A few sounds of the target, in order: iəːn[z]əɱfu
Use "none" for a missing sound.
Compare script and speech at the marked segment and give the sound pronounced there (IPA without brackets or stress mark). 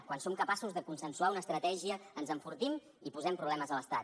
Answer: z